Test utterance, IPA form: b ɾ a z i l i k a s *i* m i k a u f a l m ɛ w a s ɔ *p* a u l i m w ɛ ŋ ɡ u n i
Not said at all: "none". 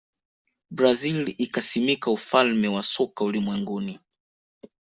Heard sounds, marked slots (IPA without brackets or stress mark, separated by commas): i, k